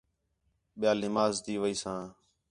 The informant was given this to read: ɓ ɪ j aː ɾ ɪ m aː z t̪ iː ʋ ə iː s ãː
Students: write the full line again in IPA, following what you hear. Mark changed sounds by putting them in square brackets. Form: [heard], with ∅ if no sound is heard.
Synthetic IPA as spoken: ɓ ɪ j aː [l] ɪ m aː z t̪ iː ʋ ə iː s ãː